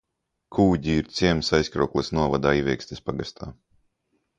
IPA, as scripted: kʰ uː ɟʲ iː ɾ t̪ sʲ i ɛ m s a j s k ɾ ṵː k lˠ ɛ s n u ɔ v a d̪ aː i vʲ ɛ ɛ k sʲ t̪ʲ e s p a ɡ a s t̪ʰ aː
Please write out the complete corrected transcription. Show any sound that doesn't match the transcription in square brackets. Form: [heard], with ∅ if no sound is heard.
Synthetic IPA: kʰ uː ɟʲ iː ɾ t̪ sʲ i ɛ m s a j s k ɾ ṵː k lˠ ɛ s n u ɔ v a d̪ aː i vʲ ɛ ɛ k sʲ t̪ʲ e s p a ɡ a s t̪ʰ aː